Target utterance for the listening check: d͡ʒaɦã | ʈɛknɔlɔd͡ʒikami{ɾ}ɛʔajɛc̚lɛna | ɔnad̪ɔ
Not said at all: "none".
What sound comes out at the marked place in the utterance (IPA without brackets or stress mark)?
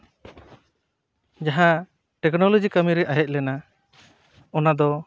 ɾ